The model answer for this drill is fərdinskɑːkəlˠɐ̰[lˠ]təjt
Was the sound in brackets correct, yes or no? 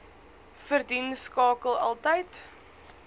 yes